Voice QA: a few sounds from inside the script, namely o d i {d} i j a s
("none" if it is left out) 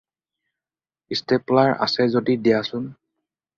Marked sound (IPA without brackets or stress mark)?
d